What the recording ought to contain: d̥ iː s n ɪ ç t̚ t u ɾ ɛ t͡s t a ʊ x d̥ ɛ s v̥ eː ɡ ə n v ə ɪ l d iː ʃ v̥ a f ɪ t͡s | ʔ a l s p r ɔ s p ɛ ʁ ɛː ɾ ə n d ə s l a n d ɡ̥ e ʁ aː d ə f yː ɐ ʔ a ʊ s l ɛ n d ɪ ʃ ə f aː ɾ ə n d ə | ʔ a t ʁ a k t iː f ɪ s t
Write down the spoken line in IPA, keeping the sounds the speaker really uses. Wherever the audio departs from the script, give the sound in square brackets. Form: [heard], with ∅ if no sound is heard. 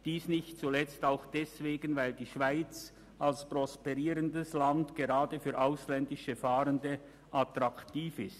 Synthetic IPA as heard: d̥ iː s n ɪ ç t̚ [t͡s] u [l] ɛ t͡s t a ʊ x d̥ ɛ s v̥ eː ɡ ə n v [a] ɪ l d iː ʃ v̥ a [∅] ɪ t͡s | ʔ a l s p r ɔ s p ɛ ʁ [iː] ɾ ə n d ə s l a n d ɡ̥ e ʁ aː d ə f yː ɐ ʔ a ʊ s l ɛ n d ɪ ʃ ə f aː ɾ ə n d ə | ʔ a t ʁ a k t iː f ɪ s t